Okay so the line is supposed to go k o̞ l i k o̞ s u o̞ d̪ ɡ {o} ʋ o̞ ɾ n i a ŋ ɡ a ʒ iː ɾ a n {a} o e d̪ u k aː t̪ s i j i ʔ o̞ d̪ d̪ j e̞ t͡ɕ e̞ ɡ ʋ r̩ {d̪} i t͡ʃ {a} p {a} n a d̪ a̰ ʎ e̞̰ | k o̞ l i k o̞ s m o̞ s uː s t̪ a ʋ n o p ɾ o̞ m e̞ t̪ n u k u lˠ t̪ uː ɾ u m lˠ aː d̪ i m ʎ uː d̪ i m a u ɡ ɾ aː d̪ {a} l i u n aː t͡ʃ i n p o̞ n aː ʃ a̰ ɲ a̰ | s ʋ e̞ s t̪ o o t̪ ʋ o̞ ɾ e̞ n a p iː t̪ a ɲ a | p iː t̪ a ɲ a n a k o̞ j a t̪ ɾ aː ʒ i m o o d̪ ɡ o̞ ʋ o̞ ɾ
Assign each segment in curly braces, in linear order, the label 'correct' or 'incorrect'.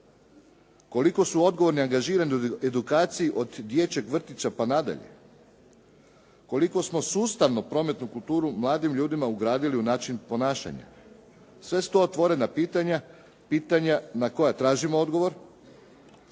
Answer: correct, incorrect: i, incorrect: t̪, correct, correct, incorrect: i

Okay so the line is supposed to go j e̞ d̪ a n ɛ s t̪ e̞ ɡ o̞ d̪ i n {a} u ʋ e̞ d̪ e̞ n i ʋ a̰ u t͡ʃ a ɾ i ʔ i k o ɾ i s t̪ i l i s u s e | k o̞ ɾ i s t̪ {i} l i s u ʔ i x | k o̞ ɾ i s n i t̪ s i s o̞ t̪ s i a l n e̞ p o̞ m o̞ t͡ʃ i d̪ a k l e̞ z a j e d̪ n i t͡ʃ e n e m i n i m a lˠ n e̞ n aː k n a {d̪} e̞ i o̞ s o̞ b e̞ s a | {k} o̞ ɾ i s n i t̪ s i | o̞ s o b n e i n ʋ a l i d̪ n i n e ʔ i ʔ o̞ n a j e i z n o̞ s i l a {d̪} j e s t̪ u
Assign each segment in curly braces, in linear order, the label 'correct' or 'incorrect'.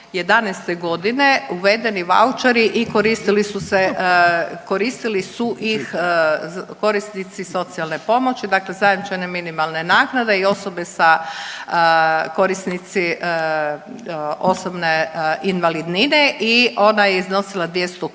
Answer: incorrect: e, correct, correct, correct, correct

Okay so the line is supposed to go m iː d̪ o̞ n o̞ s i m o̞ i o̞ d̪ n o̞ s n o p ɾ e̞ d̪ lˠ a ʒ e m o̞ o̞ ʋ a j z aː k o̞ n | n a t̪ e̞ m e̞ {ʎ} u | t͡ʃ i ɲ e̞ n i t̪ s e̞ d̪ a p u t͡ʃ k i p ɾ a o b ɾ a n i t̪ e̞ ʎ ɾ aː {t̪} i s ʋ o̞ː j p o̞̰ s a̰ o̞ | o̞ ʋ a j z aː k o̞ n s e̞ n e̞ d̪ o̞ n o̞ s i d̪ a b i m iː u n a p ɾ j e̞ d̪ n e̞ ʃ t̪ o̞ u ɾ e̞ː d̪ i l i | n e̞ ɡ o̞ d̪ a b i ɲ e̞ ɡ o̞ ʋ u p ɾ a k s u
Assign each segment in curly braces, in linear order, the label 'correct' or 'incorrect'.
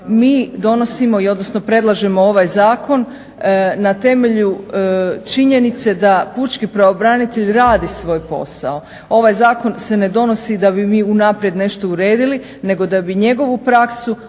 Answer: correct, incorrect: d̪

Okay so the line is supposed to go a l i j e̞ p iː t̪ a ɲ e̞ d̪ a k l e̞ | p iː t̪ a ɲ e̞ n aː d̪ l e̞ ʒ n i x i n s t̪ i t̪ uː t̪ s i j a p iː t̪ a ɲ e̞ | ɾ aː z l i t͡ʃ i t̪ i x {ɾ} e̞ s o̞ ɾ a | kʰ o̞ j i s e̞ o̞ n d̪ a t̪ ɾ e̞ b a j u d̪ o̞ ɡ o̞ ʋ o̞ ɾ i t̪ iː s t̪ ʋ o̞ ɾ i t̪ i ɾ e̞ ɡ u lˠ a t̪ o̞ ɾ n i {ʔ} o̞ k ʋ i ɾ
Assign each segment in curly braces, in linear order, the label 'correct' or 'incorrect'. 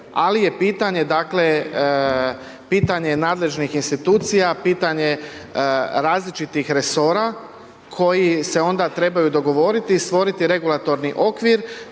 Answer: correct, correct

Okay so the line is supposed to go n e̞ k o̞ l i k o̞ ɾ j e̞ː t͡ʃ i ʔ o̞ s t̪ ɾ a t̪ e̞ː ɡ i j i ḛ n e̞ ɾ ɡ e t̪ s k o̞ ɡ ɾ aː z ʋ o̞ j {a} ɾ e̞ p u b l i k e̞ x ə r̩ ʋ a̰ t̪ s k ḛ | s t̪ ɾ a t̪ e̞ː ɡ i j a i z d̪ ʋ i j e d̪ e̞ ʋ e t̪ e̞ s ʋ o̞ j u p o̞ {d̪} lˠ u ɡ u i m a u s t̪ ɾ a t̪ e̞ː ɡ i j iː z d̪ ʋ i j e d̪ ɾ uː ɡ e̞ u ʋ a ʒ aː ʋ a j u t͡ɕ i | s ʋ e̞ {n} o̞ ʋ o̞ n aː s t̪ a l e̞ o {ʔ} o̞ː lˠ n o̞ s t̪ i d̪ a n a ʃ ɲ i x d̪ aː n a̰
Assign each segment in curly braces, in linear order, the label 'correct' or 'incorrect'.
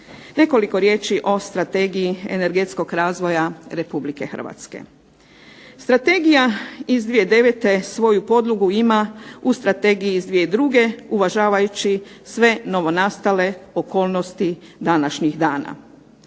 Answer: correct, correct, correct, incorrect: k

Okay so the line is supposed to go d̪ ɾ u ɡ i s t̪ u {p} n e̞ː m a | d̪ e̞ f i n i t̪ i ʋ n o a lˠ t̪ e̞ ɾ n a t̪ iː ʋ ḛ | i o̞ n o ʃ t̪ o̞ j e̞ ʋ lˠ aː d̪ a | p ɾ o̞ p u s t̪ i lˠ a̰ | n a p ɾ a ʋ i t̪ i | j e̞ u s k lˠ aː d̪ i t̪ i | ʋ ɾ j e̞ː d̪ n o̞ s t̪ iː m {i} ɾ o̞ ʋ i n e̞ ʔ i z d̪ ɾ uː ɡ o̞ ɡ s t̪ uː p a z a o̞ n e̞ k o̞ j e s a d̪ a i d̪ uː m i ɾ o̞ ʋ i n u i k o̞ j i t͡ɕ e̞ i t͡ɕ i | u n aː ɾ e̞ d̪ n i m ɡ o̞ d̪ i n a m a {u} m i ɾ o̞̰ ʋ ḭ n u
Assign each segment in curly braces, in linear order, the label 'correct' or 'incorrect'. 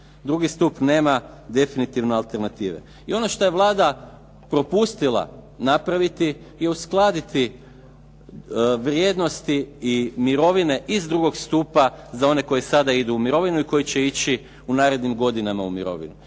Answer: correct, correct, correct

